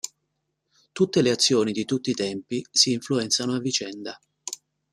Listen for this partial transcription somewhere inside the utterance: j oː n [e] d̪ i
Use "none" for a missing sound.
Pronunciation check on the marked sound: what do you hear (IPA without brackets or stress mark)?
i